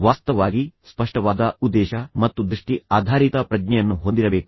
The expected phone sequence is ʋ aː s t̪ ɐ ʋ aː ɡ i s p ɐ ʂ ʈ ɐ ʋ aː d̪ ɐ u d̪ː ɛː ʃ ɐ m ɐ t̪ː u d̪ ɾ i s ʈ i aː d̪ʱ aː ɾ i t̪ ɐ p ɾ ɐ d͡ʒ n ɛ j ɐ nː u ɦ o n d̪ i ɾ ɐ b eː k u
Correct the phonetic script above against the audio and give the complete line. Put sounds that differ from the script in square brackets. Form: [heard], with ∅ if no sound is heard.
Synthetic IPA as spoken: ʋ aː s t̪ ɐ ʋ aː ɡ i s p ɐ ʂ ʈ ɐ ʋ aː d̪ ɐ u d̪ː ɛː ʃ ɐ m ɐ t̪ː u d̪ ɾ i [ʂ] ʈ i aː d̪ʱ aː ɾ i t̪ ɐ p ɾ ɐ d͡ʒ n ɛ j ɐ nː u ɦ o n d̪ i ɾ ɐ b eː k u